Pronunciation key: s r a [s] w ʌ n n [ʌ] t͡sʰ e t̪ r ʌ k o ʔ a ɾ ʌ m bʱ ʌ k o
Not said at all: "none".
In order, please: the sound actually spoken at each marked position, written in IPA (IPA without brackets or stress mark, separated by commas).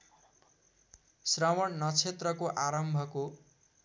none, ʌ